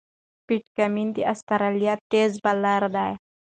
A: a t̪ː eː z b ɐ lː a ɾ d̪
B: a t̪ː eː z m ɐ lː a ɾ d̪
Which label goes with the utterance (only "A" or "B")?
A